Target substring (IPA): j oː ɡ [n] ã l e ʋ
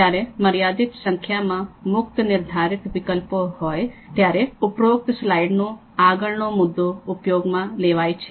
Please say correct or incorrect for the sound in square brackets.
incorrect